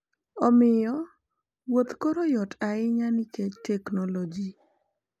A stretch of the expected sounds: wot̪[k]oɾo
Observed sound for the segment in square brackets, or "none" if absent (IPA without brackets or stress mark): k